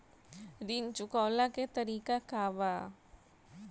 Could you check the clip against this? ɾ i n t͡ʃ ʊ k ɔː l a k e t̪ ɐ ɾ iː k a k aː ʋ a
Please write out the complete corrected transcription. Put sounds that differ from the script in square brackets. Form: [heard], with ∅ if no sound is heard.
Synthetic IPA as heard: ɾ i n t͡ʃ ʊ k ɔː l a k e t̪ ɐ ɾ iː k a k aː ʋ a